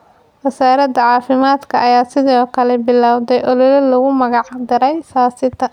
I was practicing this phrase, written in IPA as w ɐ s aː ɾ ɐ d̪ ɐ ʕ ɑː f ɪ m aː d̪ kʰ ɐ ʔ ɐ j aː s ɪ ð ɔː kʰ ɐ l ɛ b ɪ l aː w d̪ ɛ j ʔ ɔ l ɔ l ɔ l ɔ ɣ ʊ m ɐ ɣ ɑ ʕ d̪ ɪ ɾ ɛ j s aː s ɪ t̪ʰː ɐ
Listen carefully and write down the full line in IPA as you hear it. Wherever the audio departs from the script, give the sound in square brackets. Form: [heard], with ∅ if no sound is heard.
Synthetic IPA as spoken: w ɐ s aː ɾ ɐ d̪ ɐ ʕ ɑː f ɪ m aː d̪ kʰ ɐ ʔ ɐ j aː s ɪ ð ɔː kʰ ɐ l ɛ b ɪ l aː w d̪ ɛ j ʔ ɔ l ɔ l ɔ l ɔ ɣ ʊ m ɐ ɣ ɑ ʕ d̪ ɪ ɾ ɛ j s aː s ɪ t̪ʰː ɐ